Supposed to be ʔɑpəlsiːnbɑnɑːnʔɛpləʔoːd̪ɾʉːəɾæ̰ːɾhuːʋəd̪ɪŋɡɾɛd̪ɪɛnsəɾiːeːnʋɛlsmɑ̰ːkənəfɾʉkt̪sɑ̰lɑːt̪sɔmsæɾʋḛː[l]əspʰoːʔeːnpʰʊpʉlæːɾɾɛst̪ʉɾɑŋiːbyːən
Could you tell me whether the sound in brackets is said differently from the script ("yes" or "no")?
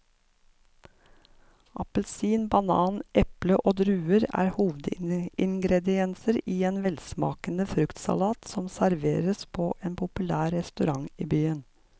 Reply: yes